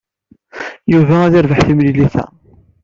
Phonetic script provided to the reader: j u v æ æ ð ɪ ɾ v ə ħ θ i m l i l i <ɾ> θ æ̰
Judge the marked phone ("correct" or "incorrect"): incorrect